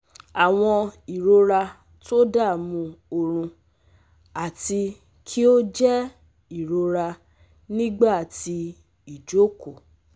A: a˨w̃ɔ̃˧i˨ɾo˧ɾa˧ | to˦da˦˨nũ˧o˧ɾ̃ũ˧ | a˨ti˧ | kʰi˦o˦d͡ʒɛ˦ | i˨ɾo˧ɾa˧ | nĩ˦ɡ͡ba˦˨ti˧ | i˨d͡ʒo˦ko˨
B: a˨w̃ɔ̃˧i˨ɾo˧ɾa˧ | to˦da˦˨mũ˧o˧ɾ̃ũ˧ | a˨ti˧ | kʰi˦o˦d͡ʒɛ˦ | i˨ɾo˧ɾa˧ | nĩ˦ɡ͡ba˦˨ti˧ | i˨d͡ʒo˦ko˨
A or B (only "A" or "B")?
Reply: B